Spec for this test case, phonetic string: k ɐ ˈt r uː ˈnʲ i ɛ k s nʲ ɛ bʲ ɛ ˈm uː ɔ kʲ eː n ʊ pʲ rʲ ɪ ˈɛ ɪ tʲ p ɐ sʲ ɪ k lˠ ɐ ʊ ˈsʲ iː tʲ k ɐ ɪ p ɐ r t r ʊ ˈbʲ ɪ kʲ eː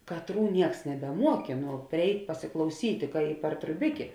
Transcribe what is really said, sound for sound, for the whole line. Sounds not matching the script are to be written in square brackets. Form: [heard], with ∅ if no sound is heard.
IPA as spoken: k ɐ ˈt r uː ˈnʲ i ɛ k s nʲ ɛ bʲ ɛ ˈm [u] ɔ kʲ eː n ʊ pʲ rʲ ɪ ˈɛ ɪ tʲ p ɐ sʲ ɪ k lˠ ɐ ʊ ˈsʲ iː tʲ k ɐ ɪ p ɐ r t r ʊ ˈbʲ ɪ kʲ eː